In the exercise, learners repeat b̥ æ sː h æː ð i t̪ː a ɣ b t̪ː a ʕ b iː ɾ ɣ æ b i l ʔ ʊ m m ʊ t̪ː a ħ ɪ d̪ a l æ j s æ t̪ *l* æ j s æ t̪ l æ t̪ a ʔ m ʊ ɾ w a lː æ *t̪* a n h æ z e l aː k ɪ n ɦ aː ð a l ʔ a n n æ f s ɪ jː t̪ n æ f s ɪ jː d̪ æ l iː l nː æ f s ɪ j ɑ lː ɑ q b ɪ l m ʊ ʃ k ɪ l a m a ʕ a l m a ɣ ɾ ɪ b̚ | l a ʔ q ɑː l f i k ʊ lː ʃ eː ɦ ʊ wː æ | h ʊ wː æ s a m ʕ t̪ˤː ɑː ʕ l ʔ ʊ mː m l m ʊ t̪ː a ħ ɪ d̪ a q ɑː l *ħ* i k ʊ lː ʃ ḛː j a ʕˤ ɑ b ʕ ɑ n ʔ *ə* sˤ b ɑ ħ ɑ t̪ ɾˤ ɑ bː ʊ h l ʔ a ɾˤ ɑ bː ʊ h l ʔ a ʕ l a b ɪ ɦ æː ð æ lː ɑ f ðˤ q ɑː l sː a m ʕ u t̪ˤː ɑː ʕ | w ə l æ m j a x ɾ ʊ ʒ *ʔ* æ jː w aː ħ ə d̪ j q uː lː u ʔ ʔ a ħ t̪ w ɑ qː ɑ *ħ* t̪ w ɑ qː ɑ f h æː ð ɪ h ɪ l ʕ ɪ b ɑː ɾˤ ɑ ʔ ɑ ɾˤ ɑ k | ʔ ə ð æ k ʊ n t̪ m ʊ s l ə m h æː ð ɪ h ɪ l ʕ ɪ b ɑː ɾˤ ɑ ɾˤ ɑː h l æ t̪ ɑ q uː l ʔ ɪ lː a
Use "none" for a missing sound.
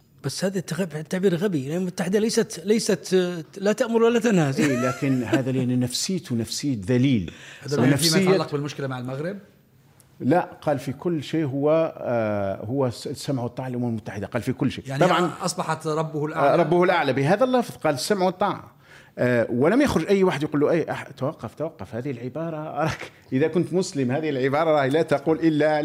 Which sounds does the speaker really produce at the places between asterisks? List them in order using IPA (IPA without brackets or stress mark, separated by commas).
l, t̪, f, ɑ, ʔ, f